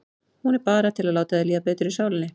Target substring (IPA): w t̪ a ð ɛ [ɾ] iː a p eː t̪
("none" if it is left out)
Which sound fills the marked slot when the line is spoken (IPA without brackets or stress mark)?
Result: l